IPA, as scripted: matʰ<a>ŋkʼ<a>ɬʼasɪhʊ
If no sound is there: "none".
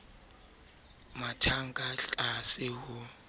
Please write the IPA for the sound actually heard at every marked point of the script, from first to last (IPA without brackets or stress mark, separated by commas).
a, a